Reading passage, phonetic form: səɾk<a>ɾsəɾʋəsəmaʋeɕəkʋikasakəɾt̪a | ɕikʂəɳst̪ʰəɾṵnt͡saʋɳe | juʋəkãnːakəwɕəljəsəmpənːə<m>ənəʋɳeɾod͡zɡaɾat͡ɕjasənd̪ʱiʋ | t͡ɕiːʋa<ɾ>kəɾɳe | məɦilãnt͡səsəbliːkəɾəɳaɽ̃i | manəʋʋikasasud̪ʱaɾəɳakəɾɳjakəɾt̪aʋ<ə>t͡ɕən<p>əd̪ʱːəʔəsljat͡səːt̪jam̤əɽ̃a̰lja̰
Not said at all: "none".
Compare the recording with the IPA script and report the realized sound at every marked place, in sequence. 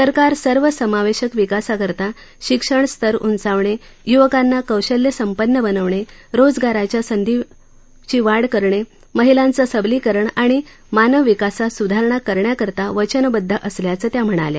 a, b, ɽ, ə, b

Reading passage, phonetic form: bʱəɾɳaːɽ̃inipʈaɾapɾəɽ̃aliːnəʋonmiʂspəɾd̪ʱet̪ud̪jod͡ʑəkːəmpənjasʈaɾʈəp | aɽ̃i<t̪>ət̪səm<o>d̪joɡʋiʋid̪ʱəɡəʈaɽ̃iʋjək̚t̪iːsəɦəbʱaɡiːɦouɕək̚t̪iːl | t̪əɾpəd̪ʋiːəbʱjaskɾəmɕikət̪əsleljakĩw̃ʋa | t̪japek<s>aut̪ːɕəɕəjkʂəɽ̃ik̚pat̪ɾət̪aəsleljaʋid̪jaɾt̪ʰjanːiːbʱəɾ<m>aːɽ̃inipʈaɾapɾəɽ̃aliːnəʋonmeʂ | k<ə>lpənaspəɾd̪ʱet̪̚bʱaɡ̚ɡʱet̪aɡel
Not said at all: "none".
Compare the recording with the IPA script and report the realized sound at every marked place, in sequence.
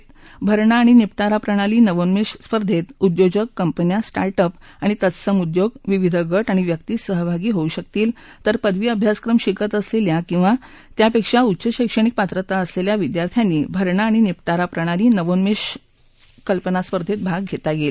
t̪, u, ʂ, ɳ, ə

